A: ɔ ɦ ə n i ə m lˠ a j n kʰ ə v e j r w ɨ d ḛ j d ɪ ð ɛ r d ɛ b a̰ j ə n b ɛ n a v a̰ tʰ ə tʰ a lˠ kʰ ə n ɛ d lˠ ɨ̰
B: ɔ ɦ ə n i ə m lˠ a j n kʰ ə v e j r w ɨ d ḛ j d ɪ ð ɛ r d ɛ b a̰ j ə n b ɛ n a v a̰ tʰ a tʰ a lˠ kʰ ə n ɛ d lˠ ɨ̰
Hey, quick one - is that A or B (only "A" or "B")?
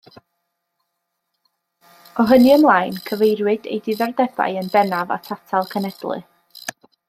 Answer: B